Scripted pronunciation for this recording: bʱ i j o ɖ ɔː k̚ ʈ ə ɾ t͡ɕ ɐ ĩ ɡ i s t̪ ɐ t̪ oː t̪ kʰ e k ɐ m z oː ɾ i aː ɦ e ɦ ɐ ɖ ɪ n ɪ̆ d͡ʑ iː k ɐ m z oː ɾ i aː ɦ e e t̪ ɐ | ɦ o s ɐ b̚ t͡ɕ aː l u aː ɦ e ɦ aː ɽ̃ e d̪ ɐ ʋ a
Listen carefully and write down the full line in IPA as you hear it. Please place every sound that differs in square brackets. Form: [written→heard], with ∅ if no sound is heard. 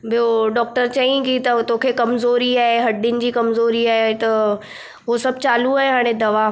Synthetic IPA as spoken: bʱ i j o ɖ ɔː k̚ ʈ ə ɾ t͡ɕ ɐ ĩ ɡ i [s→∅] t̪ ɐ t̪ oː [t̪→∅] kʰ e k ɐ m z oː ɾ i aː ɦ e ɦ ɐ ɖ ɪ n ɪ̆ d͡ʑ iː k ɐ m z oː ɾ i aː ɦ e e t̪ ɐ | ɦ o s ɐ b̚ t͡ɕ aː l u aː ɦ e ɦ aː ɽ̃ e d̪ ɐ ʋ a